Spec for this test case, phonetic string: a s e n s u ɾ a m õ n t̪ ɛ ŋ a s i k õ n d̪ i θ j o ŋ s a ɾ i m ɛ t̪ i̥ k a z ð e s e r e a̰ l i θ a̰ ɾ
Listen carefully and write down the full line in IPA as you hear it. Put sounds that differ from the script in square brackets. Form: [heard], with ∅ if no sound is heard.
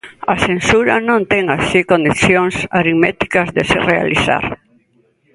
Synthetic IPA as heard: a s e n s u ɾ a [n] õ n t̪ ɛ ŋ a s i k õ n d̪ i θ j o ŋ s a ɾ i m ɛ t̪ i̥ k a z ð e s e r e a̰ l i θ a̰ ɾ